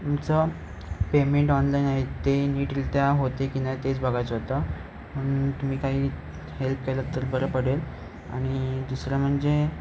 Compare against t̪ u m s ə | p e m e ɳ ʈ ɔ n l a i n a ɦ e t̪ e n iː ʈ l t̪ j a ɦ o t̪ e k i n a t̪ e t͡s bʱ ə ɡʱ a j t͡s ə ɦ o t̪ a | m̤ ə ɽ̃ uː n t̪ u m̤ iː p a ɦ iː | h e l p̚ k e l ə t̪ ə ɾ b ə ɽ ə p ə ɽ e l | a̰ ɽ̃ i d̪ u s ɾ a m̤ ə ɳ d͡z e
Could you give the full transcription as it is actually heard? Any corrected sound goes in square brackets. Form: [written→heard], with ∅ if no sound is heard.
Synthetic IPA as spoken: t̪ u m [s→t͡s] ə | p e m e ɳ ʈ ɔ n l a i n a ɦ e t̪ e n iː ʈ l t̪ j a ɦ o t̪ e k i n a t̪ e t͡s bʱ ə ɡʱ a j t͡s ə ɦ o t̪ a | m̤ ə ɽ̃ uː n t̪ u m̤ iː [p→k] a ɦ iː | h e l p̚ k e l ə t̪ ə ɾ b ə [ɽ→ɾ] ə p ə ɽ e l | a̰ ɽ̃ i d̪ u s ɾ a m̤ ə ɳ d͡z e